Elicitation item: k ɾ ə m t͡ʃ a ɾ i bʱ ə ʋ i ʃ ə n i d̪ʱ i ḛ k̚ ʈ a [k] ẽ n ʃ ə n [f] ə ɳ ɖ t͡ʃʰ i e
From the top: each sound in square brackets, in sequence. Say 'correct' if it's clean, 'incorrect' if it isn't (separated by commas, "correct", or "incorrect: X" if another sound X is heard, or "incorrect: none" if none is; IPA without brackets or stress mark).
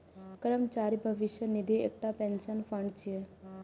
incorrect: p, correct